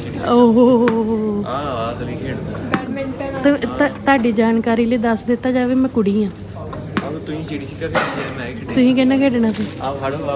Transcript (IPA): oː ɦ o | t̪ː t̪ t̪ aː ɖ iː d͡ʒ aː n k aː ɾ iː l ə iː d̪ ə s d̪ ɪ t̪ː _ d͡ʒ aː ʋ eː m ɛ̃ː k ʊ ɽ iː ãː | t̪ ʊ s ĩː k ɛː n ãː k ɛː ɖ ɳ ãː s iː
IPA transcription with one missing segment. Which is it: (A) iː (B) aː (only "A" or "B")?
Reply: B